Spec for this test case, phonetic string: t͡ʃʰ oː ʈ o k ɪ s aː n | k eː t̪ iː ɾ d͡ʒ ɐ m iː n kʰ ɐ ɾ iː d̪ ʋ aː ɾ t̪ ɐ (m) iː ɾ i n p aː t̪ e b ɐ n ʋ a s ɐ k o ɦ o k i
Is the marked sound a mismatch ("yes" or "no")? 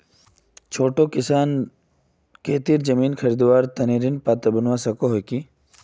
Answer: yes